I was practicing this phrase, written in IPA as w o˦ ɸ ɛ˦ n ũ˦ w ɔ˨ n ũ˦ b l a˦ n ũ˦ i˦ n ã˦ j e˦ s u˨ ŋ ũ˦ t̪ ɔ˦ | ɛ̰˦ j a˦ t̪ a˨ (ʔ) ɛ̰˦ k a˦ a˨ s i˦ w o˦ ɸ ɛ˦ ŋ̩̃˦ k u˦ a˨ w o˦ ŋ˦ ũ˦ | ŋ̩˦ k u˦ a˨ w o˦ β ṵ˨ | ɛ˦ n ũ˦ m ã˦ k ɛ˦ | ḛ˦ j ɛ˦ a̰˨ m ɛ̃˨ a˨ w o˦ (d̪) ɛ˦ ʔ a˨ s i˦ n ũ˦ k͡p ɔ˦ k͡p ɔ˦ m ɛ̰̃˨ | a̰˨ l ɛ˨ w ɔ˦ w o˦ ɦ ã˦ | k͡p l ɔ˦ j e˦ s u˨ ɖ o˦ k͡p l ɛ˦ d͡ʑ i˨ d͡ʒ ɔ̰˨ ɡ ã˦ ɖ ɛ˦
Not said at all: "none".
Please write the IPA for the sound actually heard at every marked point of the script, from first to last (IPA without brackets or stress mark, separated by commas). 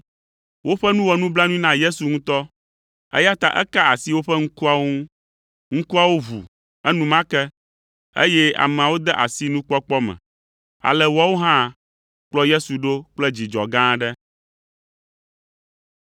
ʔ, d̪